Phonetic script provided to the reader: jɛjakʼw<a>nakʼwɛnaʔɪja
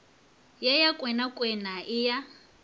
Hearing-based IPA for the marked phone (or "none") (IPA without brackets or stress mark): ɛ